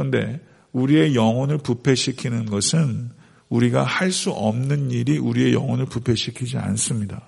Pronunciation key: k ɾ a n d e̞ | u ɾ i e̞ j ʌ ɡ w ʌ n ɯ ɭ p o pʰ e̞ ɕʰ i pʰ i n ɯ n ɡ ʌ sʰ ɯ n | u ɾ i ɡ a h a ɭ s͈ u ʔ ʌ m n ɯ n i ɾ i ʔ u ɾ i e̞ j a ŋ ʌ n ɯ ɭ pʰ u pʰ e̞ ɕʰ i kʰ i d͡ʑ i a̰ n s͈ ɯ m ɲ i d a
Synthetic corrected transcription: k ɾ ʌ n d e̞ | u ɾ i e̞ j ʌ ŋ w ʌ n ɯ ɭ p u pʰ e̞ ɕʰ i kʰ i n ɯ n ɡ ʌ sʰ ɯ n | u ɾ i ɡ a h a ɭ s͈ u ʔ ʌ m n ɯ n i ɾ i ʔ u ɾ i e̞ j ʌ ŋ ʌ n ɯ ɭ p u pʰ e̞ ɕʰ i kʰ i d͡ʑ i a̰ n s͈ ɯ m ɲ i d a